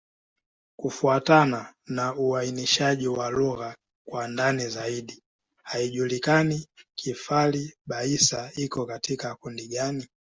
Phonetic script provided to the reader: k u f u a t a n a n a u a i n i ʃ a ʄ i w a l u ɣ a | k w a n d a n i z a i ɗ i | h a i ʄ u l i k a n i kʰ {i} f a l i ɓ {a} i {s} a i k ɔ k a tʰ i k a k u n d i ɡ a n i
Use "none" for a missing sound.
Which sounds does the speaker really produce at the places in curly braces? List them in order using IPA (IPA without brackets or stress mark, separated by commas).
i, a, s